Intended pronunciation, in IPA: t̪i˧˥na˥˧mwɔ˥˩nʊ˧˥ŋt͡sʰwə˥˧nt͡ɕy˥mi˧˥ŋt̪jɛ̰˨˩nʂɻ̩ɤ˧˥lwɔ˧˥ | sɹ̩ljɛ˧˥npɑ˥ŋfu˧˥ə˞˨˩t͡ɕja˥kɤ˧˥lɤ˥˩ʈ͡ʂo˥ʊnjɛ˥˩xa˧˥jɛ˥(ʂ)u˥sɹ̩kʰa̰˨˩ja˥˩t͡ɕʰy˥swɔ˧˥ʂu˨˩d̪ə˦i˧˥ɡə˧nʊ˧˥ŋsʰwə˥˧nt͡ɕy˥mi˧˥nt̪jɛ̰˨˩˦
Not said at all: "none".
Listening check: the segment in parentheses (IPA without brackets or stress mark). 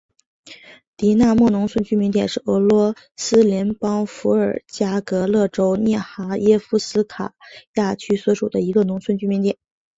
f